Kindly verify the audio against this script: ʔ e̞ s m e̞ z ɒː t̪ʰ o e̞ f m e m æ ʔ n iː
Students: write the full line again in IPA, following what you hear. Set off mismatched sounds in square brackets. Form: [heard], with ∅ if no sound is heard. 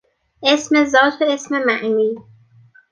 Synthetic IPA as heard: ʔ e̞ s m e̞ z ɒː t̪ʰ o e̞ [s] m e m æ ʔ n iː